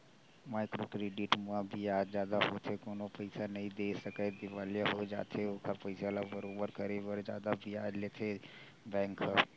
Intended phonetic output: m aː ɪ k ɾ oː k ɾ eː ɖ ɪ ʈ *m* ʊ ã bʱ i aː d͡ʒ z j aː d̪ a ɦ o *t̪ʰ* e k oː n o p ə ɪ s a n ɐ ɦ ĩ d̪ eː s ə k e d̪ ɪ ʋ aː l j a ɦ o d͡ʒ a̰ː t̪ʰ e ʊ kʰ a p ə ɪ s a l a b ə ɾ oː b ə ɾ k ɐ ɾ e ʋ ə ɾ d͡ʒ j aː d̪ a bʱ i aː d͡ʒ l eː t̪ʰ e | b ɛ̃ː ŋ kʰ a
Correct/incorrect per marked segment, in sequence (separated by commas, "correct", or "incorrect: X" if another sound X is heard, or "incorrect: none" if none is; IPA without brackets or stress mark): correct, correct